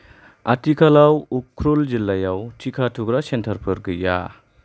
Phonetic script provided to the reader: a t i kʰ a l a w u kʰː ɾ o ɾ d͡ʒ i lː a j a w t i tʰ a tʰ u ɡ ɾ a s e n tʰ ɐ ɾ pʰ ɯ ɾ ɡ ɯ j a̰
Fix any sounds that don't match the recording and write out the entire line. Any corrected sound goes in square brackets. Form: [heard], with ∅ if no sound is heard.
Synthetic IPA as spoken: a t i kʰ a l a w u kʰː ɾ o [l] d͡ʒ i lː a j a w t i [kʰ] a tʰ u ɡ ɾ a s e n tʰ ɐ ɾ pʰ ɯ ɾ ɡ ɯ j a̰